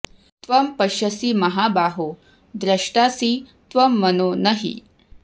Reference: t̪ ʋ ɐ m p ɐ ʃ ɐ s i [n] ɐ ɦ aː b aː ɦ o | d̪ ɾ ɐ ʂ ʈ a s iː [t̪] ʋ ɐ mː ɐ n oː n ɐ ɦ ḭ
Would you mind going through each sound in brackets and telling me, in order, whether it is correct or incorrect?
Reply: incorrect, correct

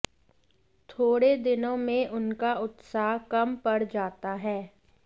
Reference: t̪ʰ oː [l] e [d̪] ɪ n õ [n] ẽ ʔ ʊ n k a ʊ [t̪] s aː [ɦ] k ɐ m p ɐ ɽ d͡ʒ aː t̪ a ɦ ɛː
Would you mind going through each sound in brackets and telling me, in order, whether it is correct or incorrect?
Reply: incorrect, correct, incorrect, correct, correct

